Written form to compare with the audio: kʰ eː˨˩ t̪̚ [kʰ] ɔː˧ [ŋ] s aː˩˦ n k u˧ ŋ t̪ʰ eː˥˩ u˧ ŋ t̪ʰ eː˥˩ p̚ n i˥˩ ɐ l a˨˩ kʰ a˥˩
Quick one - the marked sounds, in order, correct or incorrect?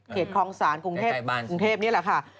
correct, correct

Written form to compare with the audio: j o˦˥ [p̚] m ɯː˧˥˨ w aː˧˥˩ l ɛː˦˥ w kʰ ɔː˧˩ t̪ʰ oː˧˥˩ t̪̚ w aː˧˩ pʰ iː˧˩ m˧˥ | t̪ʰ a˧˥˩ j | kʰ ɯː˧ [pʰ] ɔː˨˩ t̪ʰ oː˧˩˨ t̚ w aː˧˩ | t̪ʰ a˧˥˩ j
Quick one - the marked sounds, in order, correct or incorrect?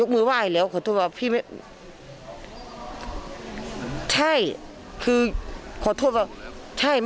incorrect, incorrect

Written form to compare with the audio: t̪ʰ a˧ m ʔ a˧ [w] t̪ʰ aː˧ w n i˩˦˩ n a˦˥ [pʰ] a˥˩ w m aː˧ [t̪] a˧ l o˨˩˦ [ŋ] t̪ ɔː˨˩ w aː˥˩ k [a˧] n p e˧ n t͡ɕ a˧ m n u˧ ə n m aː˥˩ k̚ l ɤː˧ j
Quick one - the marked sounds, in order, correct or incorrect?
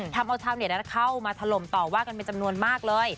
correct, incorrect, incorrect, incorrect, correct

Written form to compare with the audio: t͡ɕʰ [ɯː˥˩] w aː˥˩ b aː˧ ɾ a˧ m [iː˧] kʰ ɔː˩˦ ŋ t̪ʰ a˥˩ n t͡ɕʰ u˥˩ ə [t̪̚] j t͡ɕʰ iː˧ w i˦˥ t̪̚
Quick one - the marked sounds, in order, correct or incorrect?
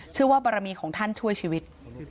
incorrect, correct, incorrect

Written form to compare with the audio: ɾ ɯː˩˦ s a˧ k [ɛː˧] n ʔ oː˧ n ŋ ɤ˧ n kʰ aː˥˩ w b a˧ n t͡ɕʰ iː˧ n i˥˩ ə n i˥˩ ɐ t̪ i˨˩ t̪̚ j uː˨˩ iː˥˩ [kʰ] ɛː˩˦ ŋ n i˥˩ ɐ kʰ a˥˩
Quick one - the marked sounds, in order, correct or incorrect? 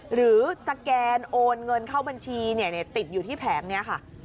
correct, incorrect

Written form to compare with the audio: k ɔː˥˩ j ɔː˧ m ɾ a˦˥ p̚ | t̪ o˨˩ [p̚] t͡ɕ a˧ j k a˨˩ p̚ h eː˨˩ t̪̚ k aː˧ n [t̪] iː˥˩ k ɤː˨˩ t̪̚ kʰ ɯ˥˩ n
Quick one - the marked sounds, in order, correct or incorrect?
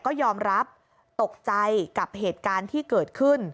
incorrect, incorrect

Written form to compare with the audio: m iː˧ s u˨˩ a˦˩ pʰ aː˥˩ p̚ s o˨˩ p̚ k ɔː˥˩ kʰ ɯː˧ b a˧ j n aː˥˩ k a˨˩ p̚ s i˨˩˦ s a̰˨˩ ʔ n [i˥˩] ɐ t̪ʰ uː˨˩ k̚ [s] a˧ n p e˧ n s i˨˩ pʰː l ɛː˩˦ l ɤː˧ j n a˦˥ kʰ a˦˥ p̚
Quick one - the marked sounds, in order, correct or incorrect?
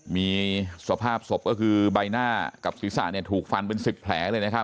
correct, incorrect

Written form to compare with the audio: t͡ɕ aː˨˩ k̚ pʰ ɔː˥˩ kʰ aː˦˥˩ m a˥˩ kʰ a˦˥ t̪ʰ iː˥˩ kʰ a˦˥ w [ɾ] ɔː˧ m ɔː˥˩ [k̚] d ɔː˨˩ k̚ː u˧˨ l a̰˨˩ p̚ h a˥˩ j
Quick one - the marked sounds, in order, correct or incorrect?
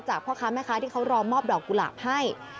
correct, incorrect

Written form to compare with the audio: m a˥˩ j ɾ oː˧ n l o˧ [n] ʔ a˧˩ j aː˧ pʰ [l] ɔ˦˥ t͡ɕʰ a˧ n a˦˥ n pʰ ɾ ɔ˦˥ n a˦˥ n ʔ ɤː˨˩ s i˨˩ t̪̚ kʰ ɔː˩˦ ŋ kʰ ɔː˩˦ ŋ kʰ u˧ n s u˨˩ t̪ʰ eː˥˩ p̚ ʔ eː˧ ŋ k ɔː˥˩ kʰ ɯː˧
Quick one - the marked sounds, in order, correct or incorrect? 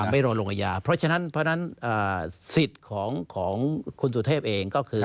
incorrect, incorrect

